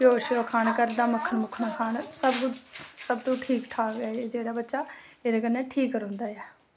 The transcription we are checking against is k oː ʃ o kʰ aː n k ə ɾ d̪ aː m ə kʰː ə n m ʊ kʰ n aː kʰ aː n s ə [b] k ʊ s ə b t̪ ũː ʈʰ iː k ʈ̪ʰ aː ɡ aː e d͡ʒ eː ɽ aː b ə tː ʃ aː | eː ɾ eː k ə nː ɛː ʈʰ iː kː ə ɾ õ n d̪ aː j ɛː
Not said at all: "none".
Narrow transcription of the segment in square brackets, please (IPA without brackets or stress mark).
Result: b